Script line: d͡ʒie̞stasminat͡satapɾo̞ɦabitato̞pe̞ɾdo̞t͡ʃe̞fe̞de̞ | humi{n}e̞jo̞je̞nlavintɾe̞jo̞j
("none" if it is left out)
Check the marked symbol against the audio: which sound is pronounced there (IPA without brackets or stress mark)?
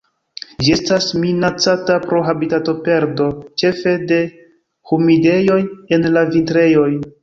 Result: d